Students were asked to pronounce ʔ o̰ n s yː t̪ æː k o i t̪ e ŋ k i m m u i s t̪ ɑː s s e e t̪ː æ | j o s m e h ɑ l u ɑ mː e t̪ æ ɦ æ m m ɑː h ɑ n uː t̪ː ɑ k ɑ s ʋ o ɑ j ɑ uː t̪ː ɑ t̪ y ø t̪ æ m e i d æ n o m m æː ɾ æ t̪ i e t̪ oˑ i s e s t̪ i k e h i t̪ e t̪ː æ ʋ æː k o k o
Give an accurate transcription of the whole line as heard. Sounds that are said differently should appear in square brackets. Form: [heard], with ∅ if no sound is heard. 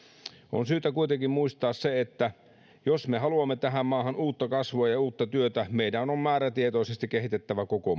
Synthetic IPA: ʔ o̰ n s yː t̪ [æ] k [u] i t̪ e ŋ k i m m u i s t̪ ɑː s s e e t̪ː æ | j o s m e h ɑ l u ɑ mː e t̪ æ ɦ æ m m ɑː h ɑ n uː t̪ː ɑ k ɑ s ʋ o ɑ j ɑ uː t̪ː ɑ t̪ y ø t̪ æ m e i d æ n o m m æː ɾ æ t̪ i e t̪ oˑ i s e s t̪ i k e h i t̪ e t̪ː æ ʋ [æ] k o k o